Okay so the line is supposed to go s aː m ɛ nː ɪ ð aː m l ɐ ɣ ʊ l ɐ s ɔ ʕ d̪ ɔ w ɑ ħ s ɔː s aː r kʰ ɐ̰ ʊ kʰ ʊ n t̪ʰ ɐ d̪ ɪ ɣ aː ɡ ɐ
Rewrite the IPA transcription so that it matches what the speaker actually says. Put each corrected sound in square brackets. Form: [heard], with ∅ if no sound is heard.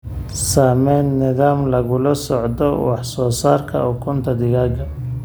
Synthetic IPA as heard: s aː m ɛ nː ɪ ð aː m l ɐ ɣ ʊ l ɐ s ɔ ʕ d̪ ɔ w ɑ ħ s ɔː s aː r kʰ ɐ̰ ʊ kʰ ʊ n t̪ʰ ɐ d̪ ɪ ɣ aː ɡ ɐ